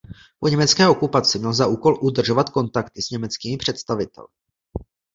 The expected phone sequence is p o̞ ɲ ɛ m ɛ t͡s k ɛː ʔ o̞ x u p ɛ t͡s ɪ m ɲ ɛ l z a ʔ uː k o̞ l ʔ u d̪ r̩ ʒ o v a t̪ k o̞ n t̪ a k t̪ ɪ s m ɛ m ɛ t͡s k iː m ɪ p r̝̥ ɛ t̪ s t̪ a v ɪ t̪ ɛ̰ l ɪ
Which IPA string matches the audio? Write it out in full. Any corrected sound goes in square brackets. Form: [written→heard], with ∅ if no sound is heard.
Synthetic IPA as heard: p o̞ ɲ ɛ m ɛ t͡s k ɛː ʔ o̞ [x→k] u p [ɛ→a] t͡s ɪ m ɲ ɛ l z a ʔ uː k o̞ l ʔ u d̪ r̩ ʒ o v a t̪ k o̞ n t̪ a k t̪ ɪ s [m→ɲ] ɛ m ɛ t͡s k iː m ɪ p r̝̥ ɛ t̪ s t̪ a v ɪ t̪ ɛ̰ l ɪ

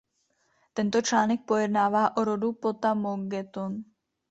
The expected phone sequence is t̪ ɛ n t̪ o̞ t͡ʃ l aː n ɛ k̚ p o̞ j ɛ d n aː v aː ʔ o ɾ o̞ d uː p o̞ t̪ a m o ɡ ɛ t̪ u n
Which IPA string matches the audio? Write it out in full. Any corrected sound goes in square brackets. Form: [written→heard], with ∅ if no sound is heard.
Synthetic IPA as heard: t̪ ɛ n t̪ o̞ t͡ʃ l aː n ɛ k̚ p o̞ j ɛ d n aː v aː ʔ o ɾ o̞ d [uː→u] p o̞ t̪ a m o ɡ ɛ t̪ [u→o] n

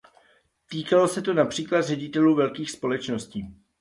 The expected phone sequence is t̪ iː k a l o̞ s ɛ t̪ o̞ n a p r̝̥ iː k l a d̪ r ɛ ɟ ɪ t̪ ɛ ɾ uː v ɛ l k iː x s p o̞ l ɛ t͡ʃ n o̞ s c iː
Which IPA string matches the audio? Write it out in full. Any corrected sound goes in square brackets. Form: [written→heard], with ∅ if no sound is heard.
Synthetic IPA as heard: t̪ iː k a l o̞ s ɛ t̪ o̞ n a p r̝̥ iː k l a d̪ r ɛ ɟ ɪ t̪ ɛ [ɾ→l] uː v ɛ l k iː x s p o̞ l ɛ t͡ʃ n o̞ s c iː

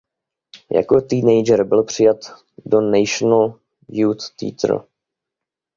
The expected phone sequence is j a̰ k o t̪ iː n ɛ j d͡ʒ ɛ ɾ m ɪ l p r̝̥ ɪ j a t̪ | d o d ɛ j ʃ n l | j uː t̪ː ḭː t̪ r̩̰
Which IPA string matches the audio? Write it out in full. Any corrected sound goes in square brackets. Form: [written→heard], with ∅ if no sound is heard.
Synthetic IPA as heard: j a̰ k o t̪ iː n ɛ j d͡ʒ ɛ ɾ [m→b] ɪ l p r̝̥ ɪ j a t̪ | d o [d→n] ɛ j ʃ n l | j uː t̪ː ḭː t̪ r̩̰

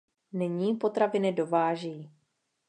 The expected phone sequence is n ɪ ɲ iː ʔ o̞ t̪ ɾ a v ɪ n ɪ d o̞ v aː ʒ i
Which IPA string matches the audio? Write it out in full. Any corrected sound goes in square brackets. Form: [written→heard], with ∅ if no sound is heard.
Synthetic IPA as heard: n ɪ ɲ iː [ʔ→p] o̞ t̪ ɾ a v ɪ n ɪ d o̞ v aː ʒ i

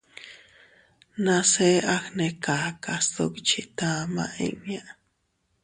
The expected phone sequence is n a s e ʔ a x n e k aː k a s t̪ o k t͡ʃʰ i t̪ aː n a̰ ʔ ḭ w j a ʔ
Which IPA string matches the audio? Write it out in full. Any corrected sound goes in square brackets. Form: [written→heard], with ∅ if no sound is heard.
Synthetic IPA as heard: n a s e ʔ a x n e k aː k a s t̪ o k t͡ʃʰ i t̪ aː [n→m] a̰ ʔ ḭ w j a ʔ

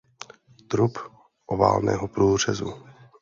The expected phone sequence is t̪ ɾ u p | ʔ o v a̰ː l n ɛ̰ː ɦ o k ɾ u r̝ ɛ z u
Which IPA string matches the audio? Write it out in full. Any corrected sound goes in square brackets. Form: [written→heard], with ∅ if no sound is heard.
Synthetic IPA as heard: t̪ ɾ u p | ʔ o v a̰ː l n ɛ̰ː ɦ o [k→p] ɾ [u→uː] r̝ ɛ z u

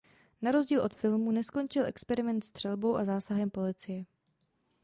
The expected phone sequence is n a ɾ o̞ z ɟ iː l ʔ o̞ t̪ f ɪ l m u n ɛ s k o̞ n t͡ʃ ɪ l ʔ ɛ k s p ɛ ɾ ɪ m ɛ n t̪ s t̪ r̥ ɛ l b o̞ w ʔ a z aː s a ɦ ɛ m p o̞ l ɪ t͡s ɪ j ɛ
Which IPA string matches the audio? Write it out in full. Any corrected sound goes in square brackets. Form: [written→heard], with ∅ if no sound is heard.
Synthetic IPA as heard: n a ɾ o̞ z ɟ iː l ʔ o̞ t̪ f ɪ l m u n ɛ s k o̞ n t͡ʃ ɪ l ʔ ɛ k s p ɛ ɾ ɪ m ɛ n t̪ s t̪ r̥ ɛ l b o̞ w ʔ a z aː s a ɦ ɛ m p o̞ l ɪ t͡s ɪ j ɛ

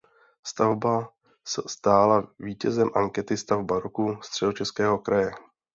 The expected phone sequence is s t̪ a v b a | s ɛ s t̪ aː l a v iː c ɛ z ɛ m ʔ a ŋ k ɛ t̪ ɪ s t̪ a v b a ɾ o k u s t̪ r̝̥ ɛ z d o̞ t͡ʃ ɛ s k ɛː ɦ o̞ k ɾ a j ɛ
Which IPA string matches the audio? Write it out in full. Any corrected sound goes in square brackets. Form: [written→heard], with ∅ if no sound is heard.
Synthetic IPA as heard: s t̪ a v b a | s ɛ s t̪ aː l a v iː c ɛ z ɛ m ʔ a ŋ k ɛ t̪ ɪ s t̪ a v b a ɾ o k u s t̪ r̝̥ ɛ [z→∅] d o̞ t͡ʃ ɛ s k ɛː ɦ o̞ k ɾ a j ɛ

